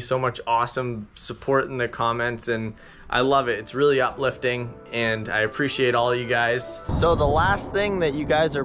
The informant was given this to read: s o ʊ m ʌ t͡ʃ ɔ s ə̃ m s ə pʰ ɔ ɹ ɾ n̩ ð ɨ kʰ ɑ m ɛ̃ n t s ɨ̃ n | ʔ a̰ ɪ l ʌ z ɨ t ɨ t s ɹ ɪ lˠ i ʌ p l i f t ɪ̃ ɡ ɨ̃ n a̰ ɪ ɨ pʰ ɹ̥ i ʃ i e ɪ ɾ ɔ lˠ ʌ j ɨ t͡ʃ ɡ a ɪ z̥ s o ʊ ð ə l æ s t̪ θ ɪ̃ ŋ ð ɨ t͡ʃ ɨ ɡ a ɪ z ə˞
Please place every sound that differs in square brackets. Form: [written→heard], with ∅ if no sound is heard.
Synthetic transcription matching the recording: s o ʊ m ʌ t͡ʃ ɔ s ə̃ m s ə pʰ ɔ ɹ ɾ n̩ ð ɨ kʰ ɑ m ɛ̃ n t s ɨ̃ n | ʔ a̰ ɪ l ʌ [z→v] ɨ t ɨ t s ɹ ɪ lˠ i ʌ p l [i→ɪ] f t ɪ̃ [ɡ→ŋ] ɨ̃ n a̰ ɪ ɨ pʰ ɹ̥ i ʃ i e ɪ ɾ ɔ lˠ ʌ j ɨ [t͡ʃ→∅] ɡ a ɪ z̥ s o ʊ ð ə l æ s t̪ θ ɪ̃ ŋ ð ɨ t͡ʃ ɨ ɡ a ɪ z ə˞

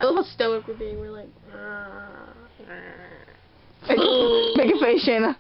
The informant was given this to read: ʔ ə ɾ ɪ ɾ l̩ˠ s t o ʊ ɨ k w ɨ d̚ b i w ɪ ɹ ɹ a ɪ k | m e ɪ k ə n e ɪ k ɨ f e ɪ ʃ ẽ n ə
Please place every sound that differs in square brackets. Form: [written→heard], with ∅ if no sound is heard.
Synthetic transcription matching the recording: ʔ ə [ɾ→l] ɪ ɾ l̩ˠ s t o ʊ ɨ k w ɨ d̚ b i w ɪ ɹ [ɹ→l] a ɪ k | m e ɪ k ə [n→m] e ɪ k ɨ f e ɪ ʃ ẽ n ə

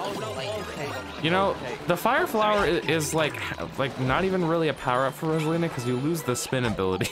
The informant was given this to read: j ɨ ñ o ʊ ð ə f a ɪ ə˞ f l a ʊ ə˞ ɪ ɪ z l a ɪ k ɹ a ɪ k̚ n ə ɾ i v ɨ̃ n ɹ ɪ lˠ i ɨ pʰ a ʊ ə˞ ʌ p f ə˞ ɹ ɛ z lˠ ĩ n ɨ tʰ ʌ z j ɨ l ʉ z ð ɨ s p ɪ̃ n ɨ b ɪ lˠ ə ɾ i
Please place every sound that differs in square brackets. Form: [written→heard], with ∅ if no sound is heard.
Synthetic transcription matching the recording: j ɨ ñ o ʊ ð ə f a ɪ ə˞ f l a ʊ ə˞ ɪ ɪ z l a ɪ k [ɹ→l] a ɪ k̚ n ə ɾ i v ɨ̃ n ɹ ɪ lˠ i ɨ pʰ a ʊ ə˞ ʌ p f ə˞ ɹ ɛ z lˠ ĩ n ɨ [tʰ→kʰ] ʌ z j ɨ l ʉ z ð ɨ s p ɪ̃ n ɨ b ɪ lˠ ə ɾ i

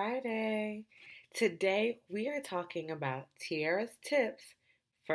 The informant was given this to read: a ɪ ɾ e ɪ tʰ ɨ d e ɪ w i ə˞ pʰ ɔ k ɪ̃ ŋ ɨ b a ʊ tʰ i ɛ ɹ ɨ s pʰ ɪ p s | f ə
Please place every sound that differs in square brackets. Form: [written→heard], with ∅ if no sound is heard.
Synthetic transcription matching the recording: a ɪ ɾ e ɪ tʰ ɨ d e ɪ w i ə˞ [pʰ→tʰ] ɔ k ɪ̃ ŋ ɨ b a ʊ tʰ i ɛ ɹ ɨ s [pʰ→tʰ] ɪ p s | f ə

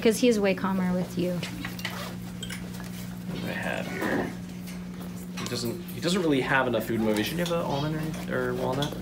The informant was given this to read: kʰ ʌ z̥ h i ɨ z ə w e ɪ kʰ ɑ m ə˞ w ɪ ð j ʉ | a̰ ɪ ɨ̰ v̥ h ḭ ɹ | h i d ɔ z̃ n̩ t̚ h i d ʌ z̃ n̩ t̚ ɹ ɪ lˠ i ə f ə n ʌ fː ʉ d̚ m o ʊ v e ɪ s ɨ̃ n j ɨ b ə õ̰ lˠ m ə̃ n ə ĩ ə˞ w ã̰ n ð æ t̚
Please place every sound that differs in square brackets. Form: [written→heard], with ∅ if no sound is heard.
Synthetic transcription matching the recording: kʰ ʌ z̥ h i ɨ z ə w e ɪ kʰ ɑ m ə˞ w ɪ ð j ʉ | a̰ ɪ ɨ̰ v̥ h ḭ ɹ | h i d [ɔ→ʌ] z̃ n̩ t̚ h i d ʌ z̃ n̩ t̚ ɹ ɪ lˠ i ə [f→v] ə n ʌ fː ʉ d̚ m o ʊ v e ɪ [s→ʃ] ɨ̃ n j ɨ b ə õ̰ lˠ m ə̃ n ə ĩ ə˞ w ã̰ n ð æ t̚

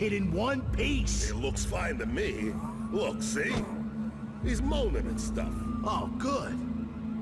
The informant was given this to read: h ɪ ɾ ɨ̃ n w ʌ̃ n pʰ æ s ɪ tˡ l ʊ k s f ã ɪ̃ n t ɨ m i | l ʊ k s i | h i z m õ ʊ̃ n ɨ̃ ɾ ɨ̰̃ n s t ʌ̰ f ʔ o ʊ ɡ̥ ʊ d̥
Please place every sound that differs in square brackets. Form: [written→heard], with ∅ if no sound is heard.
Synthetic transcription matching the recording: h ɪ ɾ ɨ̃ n w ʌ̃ n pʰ [æ→i] s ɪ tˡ l ʊ k s f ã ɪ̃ n t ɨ m i | l ʊ k s i | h i z m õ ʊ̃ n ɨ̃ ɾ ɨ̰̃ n s t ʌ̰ f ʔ o ʊ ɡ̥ ʊ d̥

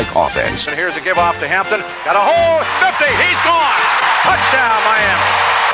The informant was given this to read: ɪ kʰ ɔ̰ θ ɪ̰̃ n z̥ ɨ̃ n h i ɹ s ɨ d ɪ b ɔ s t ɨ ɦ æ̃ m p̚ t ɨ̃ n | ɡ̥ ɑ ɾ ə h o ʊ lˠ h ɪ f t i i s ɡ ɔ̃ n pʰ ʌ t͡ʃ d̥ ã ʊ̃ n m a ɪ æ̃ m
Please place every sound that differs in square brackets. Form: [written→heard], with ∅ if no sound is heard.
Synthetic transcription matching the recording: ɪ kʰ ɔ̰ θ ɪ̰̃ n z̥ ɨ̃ n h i ɹ [s→z] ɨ [d→ɡ] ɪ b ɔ [s→f] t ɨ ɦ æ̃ m p̚ t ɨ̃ n | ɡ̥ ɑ ɾ ə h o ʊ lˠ [h→f] ɪ f t i i [s→z] ɡ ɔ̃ n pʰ ʌ t͡ʃ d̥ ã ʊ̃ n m a ɪ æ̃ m

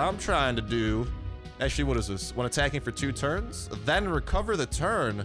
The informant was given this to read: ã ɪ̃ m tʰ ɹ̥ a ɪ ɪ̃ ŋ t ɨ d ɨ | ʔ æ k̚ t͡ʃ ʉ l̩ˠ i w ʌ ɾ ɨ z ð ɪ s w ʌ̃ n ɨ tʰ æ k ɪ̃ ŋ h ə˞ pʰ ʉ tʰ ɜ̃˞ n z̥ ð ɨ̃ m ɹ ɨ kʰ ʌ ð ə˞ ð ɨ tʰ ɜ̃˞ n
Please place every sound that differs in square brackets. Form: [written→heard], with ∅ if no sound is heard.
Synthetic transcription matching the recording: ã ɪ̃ m tʰ ɹ̥ a ɪ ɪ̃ ŋ t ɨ d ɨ | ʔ æ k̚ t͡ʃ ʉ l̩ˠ i w ʌ ɾ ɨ z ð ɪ s w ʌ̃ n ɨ tʰ æ k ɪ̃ ŋ [h→f] ə˞ [pʰ→tʰ] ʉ tʰ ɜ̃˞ n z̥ ð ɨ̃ [m→n] ɹ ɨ kʰ ʌ [ð→v] ə˞ ð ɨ tʰ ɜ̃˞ n

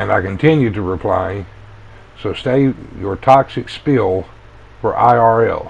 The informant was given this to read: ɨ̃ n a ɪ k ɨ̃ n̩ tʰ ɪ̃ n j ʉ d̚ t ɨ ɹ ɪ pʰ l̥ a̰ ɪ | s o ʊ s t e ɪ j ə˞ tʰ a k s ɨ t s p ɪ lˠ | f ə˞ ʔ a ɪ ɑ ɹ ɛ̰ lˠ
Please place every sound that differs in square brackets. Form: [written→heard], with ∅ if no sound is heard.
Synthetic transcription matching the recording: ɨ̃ n a ɪ k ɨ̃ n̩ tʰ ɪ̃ n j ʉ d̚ t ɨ ɹ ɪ pʰ l̥ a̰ ɪ | s o ʊ s t e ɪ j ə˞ tʰ [a→ɑ] k s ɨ [t→k] s p ɪ lˠ | f ə˞ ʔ a ɪ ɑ ɹ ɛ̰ lˠ

